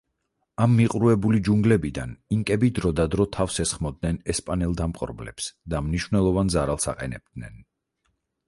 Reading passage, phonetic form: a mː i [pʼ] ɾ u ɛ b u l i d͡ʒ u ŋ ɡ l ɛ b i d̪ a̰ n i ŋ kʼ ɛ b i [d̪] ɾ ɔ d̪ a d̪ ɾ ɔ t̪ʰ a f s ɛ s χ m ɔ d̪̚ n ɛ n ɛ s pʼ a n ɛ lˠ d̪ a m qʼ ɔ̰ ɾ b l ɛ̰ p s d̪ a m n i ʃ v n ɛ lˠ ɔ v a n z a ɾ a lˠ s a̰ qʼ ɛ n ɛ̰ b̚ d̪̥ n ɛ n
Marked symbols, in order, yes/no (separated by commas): no, yes